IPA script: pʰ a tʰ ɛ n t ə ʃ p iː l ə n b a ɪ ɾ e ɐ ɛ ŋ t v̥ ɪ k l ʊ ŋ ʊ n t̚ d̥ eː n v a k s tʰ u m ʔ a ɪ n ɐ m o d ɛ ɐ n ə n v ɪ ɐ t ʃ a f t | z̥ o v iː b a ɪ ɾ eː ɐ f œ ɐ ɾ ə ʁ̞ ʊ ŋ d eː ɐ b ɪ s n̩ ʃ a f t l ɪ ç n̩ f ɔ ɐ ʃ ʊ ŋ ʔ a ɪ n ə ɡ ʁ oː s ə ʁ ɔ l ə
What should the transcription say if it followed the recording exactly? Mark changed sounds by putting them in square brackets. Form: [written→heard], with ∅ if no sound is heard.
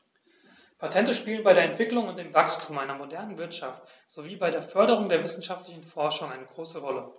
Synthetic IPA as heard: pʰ a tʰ ɛ n t ə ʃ p iː l ə n b a ɪ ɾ e ɐ ɛ [ŋ→n] t v̥ ɪ k l ʊ ŋ ʊ n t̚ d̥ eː [n→m] v a k s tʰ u m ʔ a ɪ n ɐ m o d ɛ ɐ n ə n v ɪ ɐ t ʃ a f t | z̥ o v iː b a ɪ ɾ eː ɐ f œ ɐ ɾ ə ʁ̞ ʊ ŋ d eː ɐ [b→v] ɪ s n̩ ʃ a f t l ɪ ç n̩ f ɔ ɐ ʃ ʊ ŋ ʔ a ɪ n ə ɡ ʁ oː s ə ʁ ɔ l ə